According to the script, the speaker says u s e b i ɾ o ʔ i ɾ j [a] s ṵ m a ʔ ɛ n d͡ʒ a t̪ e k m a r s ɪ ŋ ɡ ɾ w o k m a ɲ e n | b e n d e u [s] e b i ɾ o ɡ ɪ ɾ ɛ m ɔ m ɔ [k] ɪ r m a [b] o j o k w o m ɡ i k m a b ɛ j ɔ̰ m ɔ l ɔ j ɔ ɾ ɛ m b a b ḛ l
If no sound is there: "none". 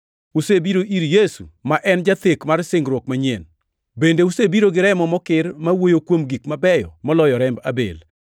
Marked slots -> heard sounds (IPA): e, s, k, w

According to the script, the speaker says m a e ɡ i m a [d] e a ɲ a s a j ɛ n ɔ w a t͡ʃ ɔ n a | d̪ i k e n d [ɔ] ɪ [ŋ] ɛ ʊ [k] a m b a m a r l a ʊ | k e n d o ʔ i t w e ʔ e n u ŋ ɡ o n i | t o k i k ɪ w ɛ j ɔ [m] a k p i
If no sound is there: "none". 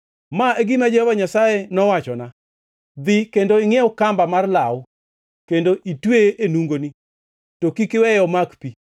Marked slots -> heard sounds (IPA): d͡ʒ, o, ŋ, k, m

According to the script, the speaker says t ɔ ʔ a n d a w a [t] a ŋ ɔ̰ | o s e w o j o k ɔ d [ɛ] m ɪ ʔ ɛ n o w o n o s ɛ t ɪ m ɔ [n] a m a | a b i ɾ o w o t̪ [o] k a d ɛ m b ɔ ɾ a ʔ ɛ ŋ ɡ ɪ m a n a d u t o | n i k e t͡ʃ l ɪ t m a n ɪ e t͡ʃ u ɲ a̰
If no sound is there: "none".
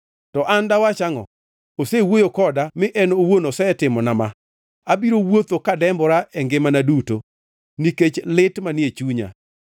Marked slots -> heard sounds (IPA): t͡ʃ, a, n, o

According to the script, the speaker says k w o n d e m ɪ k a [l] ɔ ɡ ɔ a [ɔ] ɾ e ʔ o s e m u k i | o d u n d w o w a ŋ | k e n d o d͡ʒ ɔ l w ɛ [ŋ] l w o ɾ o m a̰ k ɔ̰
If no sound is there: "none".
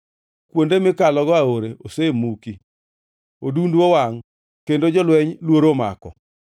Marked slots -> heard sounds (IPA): l, o, ɲ

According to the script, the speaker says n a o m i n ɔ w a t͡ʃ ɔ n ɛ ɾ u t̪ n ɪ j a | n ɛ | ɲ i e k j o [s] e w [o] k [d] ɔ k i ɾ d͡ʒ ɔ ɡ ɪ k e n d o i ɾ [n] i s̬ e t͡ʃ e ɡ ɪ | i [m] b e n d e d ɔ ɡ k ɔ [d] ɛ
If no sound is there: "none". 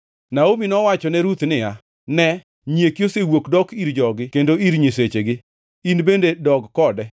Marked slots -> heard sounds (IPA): s, o, d, ɲ, n, d

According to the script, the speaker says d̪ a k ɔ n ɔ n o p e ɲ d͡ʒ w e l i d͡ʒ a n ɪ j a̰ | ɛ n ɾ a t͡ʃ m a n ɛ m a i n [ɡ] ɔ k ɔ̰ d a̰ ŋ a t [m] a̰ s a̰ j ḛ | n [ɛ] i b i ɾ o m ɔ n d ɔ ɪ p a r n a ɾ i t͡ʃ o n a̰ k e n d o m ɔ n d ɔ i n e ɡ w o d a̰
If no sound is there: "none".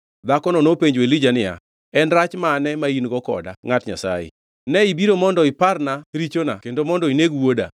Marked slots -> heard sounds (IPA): ɡ, ɲ, ɛ

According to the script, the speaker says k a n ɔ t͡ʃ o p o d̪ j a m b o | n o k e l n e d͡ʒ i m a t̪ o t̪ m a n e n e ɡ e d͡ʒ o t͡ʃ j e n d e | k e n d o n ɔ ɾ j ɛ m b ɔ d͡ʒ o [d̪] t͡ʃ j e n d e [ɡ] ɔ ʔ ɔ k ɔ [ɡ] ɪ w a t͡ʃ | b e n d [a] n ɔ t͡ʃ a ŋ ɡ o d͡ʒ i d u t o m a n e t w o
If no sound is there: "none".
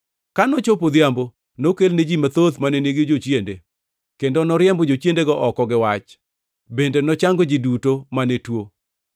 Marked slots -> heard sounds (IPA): none, ɡ, ɡ, e

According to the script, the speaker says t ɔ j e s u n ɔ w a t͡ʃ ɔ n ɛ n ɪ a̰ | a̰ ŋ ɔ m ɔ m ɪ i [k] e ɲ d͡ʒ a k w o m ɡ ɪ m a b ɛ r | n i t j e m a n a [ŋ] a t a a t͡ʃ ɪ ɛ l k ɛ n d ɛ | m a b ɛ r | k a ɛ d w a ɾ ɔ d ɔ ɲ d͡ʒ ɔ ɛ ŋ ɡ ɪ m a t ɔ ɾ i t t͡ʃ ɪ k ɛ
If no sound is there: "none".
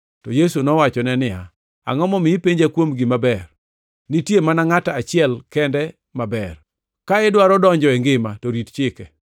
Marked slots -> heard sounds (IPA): p, ŋ

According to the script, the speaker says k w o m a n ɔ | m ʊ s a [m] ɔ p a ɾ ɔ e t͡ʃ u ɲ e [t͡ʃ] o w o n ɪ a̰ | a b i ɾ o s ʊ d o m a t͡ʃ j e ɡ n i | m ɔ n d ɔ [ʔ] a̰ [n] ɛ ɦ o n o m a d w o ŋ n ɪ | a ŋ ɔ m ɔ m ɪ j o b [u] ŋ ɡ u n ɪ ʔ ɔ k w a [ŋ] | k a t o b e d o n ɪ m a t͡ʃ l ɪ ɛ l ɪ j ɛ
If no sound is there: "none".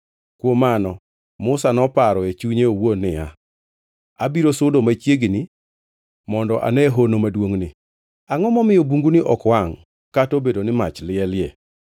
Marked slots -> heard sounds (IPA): n, none, ʔ, n, u, ŋ

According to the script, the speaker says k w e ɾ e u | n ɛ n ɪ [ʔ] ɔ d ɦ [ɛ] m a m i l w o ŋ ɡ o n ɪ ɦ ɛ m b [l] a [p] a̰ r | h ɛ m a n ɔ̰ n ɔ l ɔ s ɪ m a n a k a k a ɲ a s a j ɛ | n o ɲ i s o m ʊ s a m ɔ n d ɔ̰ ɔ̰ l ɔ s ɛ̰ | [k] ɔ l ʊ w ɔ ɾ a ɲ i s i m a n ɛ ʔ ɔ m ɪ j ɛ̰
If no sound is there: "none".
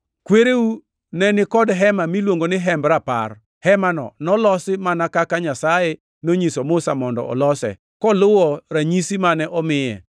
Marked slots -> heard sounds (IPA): k, ɛ, ɾ, p, k

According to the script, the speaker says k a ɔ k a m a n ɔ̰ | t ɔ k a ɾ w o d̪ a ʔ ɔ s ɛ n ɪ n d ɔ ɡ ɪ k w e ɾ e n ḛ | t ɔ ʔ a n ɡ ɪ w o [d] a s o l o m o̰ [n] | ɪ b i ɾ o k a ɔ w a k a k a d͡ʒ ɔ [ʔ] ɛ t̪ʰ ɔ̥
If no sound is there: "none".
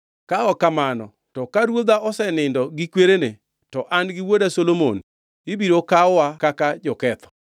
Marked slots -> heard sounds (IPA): d, n, k

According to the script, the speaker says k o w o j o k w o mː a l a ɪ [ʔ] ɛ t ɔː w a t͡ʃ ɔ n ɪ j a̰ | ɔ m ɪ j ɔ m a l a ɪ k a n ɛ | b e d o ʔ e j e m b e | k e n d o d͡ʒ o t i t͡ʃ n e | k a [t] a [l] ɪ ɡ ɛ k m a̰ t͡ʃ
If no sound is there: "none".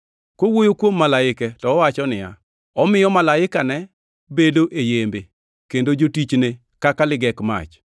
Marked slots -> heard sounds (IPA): k, k, l

